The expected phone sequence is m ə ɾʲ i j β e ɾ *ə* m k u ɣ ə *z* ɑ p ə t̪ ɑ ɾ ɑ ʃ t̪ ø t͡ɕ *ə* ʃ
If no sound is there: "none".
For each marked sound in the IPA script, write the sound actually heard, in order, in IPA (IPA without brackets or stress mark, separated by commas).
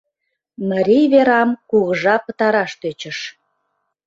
ɑ, ʒ, ə